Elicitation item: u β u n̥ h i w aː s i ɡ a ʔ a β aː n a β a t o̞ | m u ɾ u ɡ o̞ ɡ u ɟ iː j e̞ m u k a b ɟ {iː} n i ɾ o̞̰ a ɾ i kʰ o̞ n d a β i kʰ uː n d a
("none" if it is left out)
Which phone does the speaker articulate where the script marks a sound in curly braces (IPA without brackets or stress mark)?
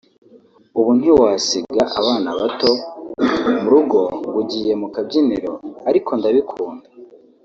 i